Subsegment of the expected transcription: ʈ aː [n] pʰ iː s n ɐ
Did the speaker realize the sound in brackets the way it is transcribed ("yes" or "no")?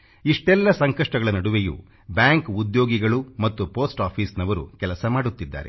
no